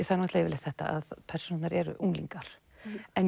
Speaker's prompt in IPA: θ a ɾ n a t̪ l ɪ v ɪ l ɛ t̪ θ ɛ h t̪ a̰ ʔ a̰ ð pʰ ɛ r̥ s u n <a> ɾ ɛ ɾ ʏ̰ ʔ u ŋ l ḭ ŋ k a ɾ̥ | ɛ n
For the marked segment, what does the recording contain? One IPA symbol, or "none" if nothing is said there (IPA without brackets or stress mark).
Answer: a